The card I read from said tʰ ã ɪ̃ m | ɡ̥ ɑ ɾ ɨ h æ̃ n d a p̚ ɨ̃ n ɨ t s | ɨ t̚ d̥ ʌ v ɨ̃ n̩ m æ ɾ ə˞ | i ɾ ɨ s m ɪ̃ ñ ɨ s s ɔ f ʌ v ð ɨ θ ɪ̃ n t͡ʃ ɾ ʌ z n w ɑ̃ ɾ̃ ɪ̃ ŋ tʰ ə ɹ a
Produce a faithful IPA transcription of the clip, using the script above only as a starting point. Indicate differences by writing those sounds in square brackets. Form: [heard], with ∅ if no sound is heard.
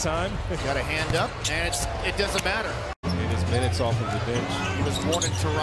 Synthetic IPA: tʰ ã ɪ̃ m | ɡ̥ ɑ ɾ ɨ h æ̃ n d [ʌ] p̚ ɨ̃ n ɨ t s | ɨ t̚ d̥ ʌ [z] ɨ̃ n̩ m æ ɾ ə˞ | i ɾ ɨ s m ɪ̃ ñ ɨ [t] s ɔ f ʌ v ð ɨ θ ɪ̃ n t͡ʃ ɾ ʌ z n w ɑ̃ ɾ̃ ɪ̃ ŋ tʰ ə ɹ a